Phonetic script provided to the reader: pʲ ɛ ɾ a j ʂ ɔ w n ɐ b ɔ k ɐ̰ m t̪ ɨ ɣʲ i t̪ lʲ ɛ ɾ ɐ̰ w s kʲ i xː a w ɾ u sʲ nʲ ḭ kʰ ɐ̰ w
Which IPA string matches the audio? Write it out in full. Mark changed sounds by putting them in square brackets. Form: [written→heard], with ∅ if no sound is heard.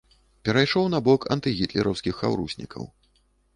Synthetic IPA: pʲ ɛ ɾ a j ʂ ɔ w n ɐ b ɔ k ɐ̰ [m→n] t̪ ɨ ɣʲ i t̪ lʲ ɛ ɾ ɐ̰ w s kʲ i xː a w ɾ u sʲ nʲ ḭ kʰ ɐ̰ w